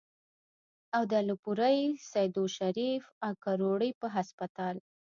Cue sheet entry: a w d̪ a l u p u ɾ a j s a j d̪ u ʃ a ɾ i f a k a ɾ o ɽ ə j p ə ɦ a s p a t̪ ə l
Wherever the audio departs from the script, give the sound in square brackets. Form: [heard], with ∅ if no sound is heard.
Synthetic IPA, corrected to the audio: a w d̪ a l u p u ɾ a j s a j d̪ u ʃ a ɾ i f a k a ɾ o ɽ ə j p ə ɦ a s p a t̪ [ɑ] l